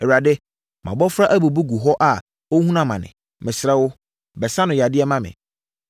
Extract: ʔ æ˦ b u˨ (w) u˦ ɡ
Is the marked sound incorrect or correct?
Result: incorrect